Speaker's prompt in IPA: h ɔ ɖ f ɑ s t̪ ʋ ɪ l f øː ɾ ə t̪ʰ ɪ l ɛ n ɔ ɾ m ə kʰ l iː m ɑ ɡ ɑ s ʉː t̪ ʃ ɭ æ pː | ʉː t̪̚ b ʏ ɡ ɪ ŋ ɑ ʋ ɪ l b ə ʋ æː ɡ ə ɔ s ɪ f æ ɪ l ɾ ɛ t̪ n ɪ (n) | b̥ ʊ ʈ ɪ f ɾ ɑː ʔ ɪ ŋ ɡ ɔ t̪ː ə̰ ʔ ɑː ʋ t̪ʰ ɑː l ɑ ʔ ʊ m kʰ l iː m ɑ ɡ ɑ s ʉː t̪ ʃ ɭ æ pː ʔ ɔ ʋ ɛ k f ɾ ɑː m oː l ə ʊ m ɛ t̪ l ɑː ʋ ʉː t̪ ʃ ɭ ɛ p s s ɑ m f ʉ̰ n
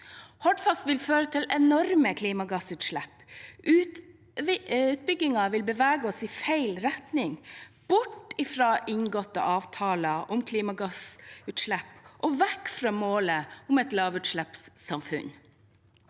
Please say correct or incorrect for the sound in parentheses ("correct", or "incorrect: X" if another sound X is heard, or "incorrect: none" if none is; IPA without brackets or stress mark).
incorrect: ŋ